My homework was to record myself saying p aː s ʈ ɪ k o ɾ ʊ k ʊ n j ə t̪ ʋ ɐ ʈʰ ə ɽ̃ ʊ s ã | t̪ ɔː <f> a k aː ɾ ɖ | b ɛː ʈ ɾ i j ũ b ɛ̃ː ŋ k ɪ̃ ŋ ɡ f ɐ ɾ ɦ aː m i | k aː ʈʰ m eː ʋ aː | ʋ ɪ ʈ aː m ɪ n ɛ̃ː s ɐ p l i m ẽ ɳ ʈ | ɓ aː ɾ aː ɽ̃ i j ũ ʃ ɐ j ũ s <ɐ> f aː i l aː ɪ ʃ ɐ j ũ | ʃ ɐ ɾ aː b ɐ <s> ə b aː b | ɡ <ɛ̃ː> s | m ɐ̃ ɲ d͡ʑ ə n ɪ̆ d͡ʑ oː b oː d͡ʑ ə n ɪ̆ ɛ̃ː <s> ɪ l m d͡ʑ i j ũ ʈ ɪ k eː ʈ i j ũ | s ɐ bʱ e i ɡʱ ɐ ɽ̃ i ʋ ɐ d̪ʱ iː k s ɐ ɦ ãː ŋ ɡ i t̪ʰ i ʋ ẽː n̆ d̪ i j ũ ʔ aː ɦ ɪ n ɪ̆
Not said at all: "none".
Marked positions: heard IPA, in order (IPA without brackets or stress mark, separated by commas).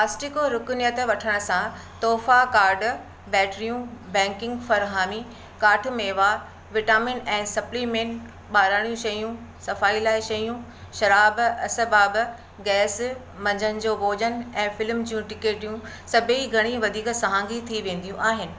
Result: f, ɐ, s, ɛː, f